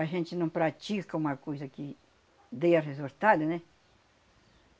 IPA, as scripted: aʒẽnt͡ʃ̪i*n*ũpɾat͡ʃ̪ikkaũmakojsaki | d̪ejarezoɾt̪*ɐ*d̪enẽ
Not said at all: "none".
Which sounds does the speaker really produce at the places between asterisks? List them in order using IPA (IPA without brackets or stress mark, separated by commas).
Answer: n, a